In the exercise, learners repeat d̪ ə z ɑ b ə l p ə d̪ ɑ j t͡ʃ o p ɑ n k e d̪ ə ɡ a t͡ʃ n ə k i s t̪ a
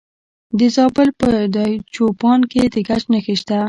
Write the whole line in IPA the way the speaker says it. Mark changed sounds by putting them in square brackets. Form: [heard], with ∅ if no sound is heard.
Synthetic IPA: d̪ ə z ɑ b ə l p ə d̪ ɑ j t͡ʃ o p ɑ n k e d̪ ə ɡ a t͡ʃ n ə [x] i [ʃ] t̪ a

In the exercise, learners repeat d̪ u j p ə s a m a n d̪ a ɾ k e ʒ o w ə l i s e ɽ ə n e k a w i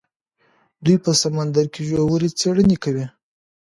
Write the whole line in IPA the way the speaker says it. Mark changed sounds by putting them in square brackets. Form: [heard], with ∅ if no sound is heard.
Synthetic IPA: d̪ u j p ə s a m a n d̪ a ɾ k e ʒ o w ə [ɾ] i [t͡s] e ɽ ə n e k a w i

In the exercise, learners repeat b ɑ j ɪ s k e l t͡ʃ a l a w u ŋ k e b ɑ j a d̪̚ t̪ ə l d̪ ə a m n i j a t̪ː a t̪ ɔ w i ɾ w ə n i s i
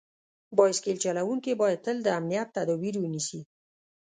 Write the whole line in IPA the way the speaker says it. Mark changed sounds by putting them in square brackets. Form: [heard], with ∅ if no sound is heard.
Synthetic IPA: b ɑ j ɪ s k e l t͡ʃ a l a w u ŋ k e b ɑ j a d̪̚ t̪ ə l d̪ ə a m n i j a t̪ː a [d̪] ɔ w i ɾ w ə n i s i

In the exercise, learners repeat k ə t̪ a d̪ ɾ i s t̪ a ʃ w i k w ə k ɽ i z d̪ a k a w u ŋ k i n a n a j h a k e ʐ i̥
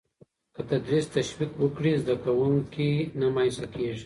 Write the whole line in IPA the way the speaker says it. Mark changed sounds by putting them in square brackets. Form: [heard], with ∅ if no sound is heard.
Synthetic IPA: k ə t̪ a d̪ ɾ i s t̪ a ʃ w i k w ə k ɽ i z d̪ a k a w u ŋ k i n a [m] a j [s] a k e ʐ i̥

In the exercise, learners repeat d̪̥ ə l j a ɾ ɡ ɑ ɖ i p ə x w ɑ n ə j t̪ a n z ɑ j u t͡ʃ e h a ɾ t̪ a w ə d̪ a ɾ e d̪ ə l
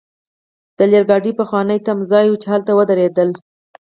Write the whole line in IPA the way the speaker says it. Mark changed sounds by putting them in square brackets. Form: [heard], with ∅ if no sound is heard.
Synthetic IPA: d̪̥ ə l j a ɾ ɡ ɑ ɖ i p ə x w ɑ n ə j t̪ a [m] z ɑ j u t͡ʃ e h a [l] t̪ a w ə d̪ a ɾ e d̪ ə l

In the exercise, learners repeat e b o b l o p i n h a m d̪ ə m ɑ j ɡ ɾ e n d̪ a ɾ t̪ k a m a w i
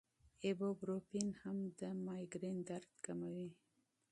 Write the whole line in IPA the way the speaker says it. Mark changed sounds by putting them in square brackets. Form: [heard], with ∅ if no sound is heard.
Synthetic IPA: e b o b [ɾ] o p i n h a m d̪ ə m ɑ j ɡ ɾ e n d̪ a ɾ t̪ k a m a w i

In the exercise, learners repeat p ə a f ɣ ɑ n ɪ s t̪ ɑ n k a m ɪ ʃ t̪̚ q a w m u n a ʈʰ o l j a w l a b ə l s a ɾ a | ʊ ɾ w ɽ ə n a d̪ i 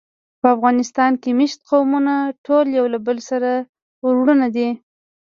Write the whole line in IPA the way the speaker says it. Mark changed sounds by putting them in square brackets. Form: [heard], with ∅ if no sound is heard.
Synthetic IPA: p ə a f ɣ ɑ n ɪ s t̪ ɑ n k [e] m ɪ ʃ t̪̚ q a w m u n a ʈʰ o l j a w l a b ə l s a ɾ a | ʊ ɾ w ɽ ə n a d̪ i

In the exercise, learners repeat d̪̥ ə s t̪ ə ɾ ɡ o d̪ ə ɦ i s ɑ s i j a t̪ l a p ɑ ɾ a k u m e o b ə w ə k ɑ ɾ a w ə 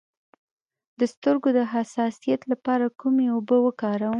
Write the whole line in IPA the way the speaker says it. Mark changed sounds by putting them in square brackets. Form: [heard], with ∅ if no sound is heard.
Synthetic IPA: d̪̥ ə s t̪ ə ɾ ɡ o d̪ ə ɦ [a] s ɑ s i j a t̪ l a p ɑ ɾ a k u m e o b ə w ə k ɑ ɾ a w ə

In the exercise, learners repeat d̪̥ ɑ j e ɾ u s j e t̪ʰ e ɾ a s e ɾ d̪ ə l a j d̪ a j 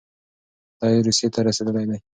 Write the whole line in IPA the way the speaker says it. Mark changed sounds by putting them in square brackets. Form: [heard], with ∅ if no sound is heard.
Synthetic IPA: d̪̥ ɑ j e ɾ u s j e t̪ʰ [a] ɾ a s e [∅] d̪ ə l a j d̪ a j

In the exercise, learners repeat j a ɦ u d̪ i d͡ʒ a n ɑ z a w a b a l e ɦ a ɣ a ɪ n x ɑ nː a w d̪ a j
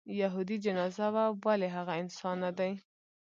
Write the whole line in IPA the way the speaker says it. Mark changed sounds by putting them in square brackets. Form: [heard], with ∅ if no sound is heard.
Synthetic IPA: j a ɦ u d̪ i d͡ʒ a n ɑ z a w a [w] a l e ɦ a ɣ a ɪ n [s] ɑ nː a [∅] d̪ a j

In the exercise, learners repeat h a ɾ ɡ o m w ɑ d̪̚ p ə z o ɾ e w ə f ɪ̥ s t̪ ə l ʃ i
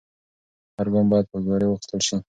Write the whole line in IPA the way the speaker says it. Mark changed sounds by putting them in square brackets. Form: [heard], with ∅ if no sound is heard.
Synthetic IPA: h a ɾ ɡ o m [b] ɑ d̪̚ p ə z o ɾ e w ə [x] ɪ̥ s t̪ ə l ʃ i

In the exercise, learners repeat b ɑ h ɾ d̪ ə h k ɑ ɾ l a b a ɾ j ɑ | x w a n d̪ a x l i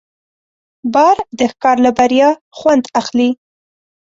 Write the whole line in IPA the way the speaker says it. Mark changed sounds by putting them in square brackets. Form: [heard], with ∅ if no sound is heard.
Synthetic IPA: b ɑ [∅] ɾ d̪ ə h k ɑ ɾ l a b a ɾ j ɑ | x w a n d̪ a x l i

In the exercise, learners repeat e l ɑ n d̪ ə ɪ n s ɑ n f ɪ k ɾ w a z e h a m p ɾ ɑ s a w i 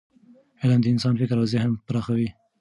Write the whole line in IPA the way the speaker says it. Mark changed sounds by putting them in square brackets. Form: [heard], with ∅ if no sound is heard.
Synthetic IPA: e l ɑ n d̪ ə ɪ n s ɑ n f ɪ k ɾ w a z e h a m p ɾ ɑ [x] a w i

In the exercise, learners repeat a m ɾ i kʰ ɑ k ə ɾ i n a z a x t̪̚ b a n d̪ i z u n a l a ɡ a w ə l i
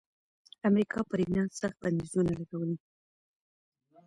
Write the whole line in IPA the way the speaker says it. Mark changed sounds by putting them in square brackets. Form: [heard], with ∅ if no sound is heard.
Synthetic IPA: a m ɾ i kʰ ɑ [p] ə ɾ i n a [s] a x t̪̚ b a n d̪ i z u n a l a ɡ a w ə l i

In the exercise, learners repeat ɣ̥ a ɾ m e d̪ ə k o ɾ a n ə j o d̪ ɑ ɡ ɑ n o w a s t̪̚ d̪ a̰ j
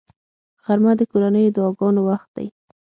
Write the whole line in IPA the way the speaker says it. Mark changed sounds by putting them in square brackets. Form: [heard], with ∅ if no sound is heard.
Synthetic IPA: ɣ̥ a ɾ m [a] d̪ ə k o ɾ a n ə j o d̪ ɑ ɡ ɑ n o w a [x] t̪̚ d̪ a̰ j

